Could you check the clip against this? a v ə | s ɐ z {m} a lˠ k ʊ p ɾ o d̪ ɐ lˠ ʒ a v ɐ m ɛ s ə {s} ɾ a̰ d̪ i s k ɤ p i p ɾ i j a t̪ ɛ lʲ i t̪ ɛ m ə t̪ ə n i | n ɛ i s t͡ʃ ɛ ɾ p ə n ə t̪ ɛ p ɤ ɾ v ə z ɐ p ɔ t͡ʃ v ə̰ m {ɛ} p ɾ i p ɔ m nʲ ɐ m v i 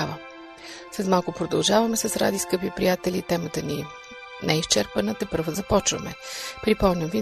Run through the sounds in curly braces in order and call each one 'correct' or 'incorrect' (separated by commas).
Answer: correct, correct, correct